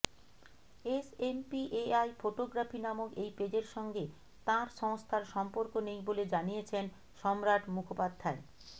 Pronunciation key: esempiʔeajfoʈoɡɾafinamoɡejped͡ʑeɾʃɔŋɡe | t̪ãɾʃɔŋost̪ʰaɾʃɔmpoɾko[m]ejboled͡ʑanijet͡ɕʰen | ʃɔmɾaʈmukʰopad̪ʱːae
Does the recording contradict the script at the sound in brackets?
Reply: yes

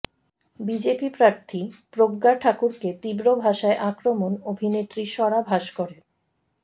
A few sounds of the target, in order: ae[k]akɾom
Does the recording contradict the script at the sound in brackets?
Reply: yes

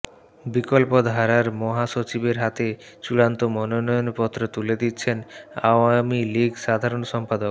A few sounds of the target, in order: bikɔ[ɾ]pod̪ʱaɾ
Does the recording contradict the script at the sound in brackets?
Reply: yes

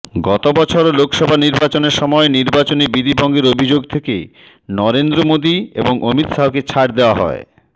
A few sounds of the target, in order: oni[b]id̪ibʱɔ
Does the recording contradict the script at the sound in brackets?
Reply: no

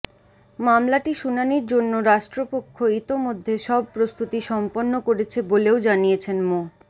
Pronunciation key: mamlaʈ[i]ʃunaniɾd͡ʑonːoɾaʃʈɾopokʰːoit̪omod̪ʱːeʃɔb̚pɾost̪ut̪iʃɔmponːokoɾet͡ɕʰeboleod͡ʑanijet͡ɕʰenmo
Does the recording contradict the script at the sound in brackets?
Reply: no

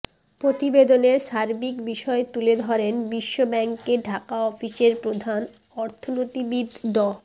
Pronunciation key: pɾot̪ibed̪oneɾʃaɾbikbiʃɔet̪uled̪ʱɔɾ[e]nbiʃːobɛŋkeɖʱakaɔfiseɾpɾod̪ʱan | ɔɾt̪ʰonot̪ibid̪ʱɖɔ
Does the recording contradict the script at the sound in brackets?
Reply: no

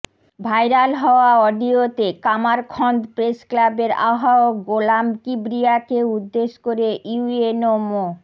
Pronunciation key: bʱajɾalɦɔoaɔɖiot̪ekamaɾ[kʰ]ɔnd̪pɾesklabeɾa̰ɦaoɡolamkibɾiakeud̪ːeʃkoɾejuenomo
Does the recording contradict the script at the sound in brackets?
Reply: no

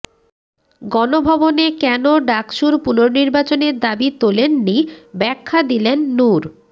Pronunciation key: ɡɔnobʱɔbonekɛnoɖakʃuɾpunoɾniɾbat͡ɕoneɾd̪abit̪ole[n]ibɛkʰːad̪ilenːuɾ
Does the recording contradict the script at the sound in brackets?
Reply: yes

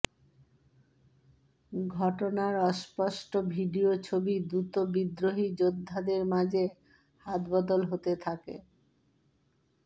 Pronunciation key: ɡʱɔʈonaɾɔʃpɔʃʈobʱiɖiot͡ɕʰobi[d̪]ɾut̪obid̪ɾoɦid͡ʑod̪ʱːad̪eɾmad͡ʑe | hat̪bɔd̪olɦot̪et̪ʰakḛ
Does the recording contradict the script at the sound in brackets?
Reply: no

